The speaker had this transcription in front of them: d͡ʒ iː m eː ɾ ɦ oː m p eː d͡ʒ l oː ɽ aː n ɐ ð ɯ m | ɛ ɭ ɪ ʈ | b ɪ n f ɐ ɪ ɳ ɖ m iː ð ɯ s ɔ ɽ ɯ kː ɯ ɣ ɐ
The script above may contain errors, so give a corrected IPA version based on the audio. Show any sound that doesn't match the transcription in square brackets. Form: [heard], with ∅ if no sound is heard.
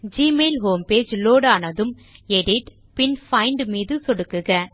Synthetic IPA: d͡ʒ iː m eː [l] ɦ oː m p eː d͡ʒ l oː ɽ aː n ɐ ð ɯ m | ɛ [ɽ] ɪ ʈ | [p] ɪ n f ɐ ɪ ɳ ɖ m iː ð ɯ s ɔ ɽ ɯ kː ɯ ɣ ɐ

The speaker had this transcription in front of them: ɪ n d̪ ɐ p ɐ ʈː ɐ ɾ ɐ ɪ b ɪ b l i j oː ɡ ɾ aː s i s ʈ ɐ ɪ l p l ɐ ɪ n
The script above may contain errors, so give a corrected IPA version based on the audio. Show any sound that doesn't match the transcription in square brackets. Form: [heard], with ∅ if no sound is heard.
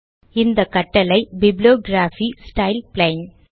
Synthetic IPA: ɪ n d̪ ɐ [k] ɐ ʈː ɐ [l] ɐ ɪ b ɪ b l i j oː ɡ ɾ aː [f] i s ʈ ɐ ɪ l p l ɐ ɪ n

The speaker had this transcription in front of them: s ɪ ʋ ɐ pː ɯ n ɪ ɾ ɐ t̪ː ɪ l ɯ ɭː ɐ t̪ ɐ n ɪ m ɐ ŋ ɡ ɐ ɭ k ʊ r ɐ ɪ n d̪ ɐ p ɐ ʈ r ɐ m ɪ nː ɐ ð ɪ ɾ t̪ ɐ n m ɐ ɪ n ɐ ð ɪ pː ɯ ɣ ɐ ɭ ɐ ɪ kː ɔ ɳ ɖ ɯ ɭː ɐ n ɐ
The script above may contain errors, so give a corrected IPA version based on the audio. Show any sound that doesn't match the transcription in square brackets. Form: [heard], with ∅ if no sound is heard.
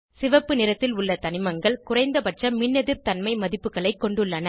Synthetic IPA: s ɪ ʋ ɐ pː ɯ n ɪ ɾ ɐ t̪ː ɪ l [ʊ] ɭː ɐ t̪ ɐ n ɪ m ɐ ŋ ɡ ɐ ɭ k ʊ r ɐ ɪ n d̪ ɐ p ɐ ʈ r ɐ m ɪ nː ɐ ð ɪ ɾ t̪ ɐ n m ɐ ɪ [m] ɐ ð ɪ pː ɯ ɣ ɐ ɭ ɐ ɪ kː ɔ ɳ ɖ ɯ ɭː ɐ n ɐ

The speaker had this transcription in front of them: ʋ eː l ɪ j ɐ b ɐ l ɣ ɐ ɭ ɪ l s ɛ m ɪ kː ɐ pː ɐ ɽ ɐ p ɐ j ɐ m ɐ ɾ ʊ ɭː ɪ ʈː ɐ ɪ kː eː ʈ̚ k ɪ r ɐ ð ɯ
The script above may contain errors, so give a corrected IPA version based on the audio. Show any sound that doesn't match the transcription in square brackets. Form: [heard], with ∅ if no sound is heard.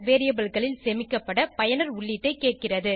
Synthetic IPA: ʋ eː [ɾ] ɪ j ɐ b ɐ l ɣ ɐ ɭ ɪ l s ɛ m ɪ kː ɐ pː ɐ ɽ ɐ p ɐ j ɐ [n] ɐ ɾ ʊ ɭː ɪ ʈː ɐ ɪ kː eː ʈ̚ k ɪ r ɐ ð ɯ

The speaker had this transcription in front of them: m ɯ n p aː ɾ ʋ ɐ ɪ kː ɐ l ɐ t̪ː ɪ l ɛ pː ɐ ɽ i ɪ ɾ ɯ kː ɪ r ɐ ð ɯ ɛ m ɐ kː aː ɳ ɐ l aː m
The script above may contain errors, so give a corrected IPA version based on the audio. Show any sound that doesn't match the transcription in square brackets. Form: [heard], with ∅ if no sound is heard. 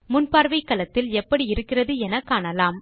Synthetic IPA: m [ʊ] n p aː ɾ ʋ ɐ ɪ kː ɐ l ɐ t̪ː ɪ l ɛ pː ɐ ɽ i ɪ ɾ ɯ kː ɪ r ɐ ð ɯ ɛ [n] ɐ kː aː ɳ ɐ l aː m

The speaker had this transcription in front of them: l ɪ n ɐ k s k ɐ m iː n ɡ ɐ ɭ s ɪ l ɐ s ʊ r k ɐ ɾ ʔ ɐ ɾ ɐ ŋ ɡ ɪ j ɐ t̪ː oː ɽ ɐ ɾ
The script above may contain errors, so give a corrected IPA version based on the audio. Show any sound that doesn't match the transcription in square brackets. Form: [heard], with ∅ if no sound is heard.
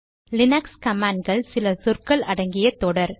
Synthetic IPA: l ɪ n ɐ k s k ɐ m [aː] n ɡ ɐ ɭ s ɪ l ɐ s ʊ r k ɐ [ɭ] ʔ ɐ [ɽ] ɐ ŋ ɡ ɪ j ɐ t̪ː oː ɽ ɐ ɾ

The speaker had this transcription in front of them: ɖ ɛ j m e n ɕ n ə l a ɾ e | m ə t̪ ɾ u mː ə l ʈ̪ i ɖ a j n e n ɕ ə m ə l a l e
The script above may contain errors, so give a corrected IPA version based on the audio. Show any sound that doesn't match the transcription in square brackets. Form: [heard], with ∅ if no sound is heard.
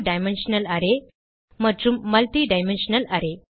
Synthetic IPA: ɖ [a] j m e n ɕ n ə l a ɾ e | m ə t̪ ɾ u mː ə l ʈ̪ i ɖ a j [m] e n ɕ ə [n] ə l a [ɾ] e

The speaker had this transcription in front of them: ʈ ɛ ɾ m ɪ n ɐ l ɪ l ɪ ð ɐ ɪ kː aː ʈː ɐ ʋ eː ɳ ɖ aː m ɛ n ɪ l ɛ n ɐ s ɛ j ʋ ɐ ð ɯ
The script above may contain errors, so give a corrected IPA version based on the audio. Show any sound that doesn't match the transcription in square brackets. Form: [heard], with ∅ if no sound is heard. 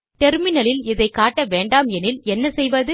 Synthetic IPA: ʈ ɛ ɾ m ɪ n ɐ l ɪ l ɪ ð ɐ ɪ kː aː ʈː ɐ ʋ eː ɳ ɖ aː m ɛ n ɪ l ɛ [nː] ɐ s ɛ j ʋ ɐ ð ɯ

